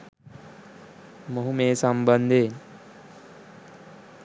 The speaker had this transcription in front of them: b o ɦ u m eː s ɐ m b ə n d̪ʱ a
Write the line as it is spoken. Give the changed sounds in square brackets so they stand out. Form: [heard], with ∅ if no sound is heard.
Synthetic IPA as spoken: [m] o ɦ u m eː s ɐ m b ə n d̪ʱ [e]

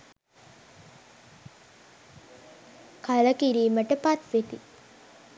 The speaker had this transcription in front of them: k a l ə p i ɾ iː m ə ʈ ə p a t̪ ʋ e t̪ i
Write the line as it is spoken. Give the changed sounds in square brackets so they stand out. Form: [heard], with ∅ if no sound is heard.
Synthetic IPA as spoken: k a l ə [k] i ɾ iː m ə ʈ ə p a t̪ ʋ e t̪ i

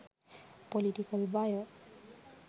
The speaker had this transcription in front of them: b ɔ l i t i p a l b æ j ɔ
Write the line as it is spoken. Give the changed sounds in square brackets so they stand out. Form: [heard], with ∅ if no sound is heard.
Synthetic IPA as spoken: [p] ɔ l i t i [k] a l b [a] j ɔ

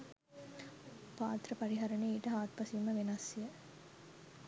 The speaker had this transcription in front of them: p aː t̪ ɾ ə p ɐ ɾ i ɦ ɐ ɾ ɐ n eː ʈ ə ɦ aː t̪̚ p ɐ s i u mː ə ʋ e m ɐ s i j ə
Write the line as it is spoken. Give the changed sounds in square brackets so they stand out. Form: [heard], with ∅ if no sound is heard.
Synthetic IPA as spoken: p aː t̪ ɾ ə p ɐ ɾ i ɦ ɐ ɾ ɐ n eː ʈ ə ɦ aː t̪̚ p ɐ s i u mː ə ʋ e [n] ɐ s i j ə

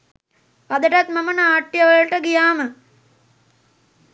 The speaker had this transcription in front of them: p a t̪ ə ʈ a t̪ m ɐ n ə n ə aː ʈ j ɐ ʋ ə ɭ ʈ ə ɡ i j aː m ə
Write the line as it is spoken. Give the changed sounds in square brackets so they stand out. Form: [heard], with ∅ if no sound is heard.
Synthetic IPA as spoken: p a [d̪] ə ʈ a t̪ m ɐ [m] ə n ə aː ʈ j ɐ ʋ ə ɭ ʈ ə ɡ i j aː m ə

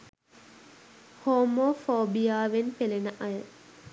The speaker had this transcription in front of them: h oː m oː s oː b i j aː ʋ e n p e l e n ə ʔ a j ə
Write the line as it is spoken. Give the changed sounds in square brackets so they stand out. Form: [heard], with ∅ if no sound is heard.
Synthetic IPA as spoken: h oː m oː [f] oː b i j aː ʋ e n p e l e n ə ʔ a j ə

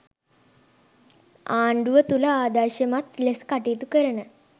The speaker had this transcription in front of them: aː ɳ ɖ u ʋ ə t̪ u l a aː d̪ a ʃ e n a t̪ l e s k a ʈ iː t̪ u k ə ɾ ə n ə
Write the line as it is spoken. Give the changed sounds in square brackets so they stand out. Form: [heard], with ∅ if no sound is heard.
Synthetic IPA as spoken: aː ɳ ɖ u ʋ ə t̪ u l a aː d̪ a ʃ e [m] a t̪ l e s k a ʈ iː t̪ u k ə ɾ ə n ə

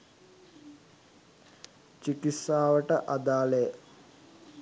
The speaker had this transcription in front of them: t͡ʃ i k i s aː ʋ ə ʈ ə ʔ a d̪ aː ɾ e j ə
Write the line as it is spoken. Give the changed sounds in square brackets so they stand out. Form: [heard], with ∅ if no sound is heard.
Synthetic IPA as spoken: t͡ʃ i k i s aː ʋ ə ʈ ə ʔ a d̪ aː [l] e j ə

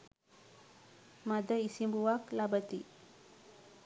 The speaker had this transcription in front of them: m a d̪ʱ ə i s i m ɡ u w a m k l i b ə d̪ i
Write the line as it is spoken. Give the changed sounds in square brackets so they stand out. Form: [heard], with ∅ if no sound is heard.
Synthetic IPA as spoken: m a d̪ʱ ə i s i m [b] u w a [∅] k l [a] b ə [t̪] i

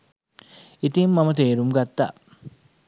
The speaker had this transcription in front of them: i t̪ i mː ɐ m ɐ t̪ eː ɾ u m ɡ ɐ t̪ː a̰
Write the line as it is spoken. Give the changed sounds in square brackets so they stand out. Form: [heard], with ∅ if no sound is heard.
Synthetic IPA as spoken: i t̪ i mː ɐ m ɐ t̪ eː ɾ u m ɡ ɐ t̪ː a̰

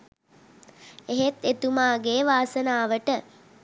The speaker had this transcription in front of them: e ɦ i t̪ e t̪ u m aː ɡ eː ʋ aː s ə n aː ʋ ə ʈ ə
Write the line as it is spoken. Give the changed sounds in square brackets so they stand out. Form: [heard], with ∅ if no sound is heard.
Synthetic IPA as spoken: e ɦ [e] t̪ e t̪ u m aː ɡ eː ʋ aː s ə n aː ʋ ə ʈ ə

